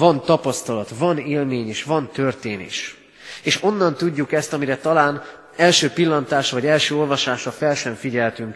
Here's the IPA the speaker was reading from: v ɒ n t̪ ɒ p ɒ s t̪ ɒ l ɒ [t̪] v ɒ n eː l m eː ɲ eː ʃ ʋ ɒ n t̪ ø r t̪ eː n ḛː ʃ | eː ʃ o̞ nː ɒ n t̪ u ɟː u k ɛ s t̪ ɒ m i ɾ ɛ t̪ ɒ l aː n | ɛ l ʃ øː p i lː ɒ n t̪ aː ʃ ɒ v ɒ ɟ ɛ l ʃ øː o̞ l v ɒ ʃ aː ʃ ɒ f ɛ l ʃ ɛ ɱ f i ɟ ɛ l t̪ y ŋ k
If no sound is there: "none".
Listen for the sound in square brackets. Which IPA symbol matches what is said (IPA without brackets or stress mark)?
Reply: t̪